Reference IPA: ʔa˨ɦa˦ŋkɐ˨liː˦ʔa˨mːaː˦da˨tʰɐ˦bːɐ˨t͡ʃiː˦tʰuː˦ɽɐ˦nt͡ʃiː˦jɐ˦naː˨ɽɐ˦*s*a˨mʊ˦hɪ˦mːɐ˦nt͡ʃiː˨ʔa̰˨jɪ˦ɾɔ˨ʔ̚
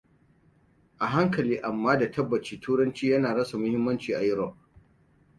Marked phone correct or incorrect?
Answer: correct